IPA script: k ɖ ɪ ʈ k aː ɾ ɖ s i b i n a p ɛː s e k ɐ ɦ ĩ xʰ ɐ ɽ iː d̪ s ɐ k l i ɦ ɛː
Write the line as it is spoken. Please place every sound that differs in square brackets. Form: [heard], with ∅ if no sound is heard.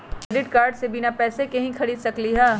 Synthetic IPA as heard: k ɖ ɪ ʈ k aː ɾ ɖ s [e] b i n a p ɛː s e k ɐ ɦ ĩ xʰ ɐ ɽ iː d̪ s ɐ k l i ɦ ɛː